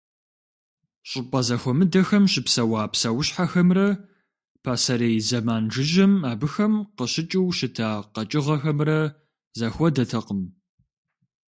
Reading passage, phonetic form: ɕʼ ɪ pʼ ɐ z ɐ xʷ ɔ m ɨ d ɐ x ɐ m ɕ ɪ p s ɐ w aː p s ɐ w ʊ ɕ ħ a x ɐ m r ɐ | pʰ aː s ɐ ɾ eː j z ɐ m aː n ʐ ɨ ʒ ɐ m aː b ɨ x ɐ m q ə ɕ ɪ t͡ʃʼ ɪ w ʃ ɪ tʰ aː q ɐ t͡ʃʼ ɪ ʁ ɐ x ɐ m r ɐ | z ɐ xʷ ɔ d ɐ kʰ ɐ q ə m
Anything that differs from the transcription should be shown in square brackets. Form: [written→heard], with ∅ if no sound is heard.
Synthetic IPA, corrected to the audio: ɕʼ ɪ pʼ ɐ z ɐ xʷ ɔ m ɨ d ɐ x ɐ m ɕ ɪ p s ɐ w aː p s ɐ w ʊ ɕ ħ a x ɐ m r ɐ | pʰ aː s ɐ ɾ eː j z ɐ m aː n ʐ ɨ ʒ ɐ m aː b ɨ x ɐ m q ə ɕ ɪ t͡ʃʼ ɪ w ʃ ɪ tʰ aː q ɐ t͡ʃʼ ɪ ʁ ɐ x ɐ m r ɐ | z ɐ xʷ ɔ d ɐ [kʰ→tʰ] ɐ q ə m